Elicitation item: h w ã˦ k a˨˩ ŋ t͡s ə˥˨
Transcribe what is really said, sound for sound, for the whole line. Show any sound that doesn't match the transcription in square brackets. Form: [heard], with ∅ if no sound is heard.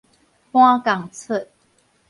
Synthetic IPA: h w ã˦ k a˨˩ ŋ [t͡sʰ] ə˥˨